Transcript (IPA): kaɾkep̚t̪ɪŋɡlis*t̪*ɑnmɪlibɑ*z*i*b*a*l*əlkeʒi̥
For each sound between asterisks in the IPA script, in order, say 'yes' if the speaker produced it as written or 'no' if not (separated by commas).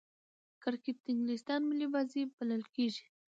yes, yes, yes, yes